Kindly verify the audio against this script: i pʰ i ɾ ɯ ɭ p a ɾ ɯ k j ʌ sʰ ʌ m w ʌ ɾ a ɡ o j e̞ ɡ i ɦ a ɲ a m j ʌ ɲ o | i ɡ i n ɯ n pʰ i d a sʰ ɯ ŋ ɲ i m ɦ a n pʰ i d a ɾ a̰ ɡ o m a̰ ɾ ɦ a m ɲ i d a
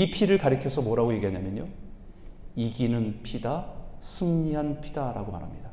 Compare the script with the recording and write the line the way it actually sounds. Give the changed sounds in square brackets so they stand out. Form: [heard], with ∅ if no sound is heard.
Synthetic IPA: i pʰ i ɾ ɯ ɭ [k] a ɾ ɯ [kʰ] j ʌ sʰ ʌ m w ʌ ɾ a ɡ o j e̞ ɡ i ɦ a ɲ a m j ʌ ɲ o | i ɡ i n ɯ n pʰ i d a sʰ ɯ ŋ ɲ i [∅] ɦ a n pʰ i d a ɾ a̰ ɡ o m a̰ ɾ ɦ a m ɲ i d a